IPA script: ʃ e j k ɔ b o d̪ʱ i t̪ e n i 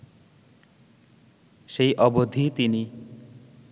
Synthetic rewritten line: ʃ e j ʔ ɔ b o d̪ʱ i t̪ i n i